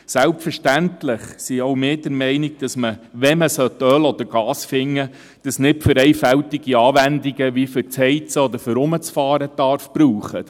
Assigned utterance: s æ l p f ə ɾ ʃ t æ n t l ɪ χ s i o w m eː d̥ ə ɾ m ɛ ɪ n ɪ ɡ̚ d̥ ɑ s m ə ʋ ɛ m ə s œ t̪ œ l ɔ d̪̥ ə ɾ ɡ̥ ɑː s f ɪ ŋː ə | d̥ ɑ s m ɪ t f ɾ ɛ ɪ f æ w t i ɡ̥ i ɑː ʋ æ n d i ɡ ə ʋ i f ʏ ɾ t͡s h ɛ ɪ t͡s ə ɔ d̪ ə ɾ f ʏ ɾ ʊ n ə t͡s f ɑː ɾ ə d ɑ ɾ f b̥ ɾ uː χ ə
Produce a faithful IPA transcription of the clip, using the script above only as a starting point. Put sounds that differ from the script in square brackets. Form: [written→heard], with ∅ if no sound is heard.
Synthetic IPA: s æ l p f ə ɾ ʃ t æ n t l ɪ χ s i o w m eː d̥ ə ɾ m ɛ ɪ n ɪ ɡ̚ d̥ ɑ s m ə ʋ ɛ m ə s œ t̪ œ l ɔ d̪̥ ə ɾ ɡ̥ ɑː s f ɪ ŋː ə | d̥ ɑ s [m→n] ɪ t f ɾ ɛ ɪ f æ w t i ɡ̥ i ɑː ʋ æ n d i ɡ ə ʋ i f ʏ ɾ t͡s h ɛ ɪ t͡s ə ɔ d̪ ə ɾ f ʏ ɾ ʊ [n→m] ə t͡s f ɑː ɾ ə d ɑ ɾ f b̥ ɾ uː χ ə